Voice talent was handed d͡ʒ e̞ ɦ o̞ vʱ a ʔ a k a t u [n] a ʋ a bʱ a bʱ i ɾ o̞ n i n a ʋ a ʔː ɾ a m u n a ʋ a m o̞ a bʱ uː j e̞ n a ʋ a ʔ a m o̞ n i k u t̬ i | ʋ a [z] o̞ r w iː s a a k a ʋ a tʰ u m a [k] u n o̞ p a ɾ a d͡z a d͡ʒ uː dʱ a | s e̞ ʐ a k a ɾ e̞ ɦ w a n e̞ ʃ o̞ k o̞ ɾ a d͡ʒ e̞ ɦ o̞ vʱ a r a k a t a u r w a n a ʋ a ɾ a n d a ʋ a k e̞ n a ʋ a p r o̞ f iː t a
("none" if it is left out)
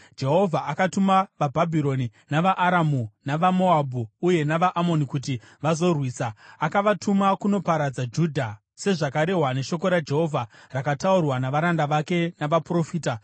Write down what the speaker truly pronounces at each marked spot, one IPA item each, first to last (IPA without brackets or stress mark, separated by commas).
m, z, k